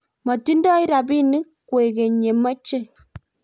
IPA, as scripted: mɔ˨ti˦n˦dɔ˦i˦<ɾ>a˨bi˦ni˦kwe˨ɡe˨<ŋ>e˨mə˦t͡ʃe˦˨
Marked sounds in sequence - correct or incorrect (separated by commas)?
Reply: correct, incorrect